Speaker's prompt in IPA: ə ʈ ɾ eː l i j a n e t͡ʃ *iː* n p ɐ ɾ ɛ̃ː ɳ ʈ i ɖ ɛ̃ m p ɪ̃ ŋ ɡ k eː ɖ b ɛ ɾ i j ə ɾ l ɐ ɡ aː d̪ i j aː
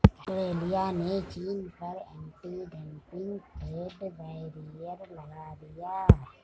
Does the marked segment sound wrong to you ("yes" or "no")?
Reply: no